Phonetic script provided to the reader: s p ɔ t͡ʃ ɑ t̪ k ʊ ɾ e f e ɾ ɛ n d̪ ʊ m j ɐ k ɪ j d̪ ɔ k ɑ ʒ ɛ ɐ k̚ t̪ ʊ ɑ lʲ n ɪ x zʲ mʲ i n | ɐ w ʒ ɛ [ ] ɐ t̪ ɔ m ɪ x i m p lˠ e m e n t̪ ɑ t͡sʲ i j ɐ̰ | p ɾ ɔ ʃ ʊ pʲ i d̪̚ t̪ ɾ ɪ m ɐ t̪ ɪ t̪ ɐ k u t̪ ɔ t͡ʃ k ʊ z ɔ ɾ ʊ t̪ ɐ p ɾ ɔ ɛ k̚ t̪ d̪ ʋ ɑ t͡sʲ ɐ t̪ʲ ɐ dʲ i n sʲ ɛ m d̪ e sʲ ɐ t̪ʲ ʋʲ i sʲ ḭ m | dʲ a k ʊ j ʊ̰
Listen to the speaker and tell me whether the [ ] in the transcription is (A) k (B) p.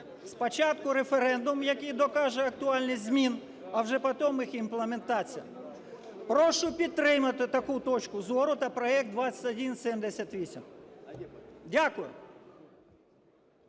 B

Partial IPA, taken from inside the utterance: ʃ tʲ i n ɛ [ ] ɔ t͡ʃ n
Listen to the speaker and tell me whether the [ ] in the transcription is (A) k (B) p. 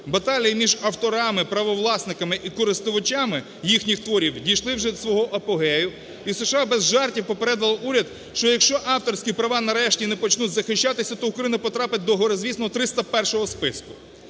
B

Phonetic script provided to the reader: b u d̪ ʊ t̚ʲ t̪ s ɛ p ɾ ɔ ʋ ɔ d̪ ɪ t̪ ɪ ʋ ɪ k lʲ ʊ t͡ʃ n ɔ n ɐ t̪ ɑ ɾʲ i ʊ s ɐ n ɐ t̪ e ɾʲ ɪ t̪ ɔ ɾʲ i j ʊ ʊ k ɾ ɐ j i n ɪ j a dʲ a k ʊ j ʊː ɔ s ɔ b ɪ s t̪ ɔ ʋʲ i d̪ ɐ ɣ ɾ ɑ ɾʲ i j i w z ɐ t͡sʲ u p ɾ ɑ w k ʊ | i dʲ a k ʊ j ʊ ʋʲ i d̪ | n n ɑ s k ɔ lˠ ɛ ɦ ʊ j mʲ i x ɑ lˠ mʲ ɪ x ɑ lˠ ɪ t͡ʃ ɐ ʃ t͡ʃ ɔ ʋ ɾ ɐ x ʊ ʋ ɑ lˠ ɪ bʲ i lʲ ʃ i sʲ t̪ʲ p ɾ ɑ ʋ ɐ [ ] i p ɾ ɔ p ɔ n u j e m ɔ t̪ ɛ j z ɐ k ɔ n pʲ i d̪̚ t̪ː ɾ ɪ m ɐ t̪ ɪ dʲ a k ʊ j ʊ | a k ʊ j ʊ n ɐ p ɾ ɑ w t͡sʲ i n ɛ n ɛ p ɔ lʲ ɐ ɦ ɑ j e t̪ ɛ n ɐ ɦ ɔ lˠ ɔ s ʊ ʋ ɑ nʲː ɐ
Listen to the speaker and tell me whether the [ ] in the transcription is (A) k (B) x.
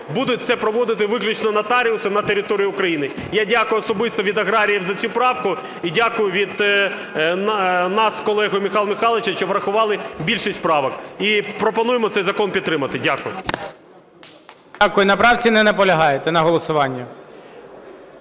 A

